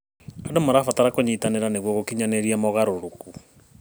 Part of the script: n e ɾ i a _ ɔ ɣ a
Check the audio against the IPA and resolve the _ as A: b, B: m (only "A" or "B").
B